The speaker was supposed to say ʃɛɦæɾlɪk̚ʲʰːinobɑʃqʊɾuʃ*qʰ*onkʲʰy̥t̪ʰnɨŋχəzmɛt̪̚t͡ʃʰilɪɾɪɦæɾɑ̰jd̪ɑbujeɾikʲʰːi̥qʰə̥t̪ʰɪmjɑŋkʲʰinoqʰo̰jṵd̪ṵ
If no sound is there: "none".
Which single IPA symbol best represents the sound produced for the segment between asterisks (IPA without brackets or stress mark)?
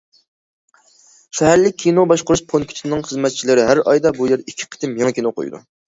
pʰ